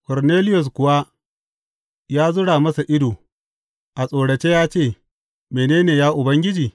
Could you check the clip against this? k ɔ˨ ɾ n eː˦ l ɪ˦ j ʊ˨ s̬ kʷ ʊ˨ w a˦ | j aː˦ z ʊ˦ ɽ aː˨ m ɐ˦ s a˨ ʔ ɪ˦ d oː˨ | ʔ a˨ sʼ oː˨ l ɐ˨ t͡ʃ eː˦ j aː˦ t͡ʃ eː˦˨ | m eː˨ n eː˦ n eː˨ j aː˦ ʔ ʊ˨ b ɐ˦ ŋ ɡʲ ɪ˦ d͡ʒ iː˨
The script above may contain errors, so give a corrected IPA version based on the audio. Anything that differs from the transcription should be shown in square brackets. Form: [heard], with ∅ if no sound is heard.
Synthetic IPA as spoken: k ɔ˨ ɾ n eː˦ l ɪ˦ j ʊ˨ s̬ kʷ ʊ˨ w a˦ | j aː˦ z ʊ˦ ɽ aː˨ m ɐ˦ s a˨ ʔ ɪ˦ d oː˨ | ʔ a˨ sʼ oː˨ [ɽ] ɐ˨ t͡ʃ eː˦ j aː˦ t͡ʃ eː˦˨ | m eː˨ n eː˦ n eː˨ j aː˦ ʔ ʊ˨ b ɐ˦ ŋ ɡʲ ɪ˦ d͡ʒ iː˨